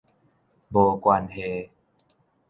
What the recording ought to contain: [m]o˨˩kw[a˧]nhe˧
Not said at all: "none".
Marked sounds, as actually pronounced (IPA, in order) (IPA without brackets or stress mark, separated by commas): b, a˧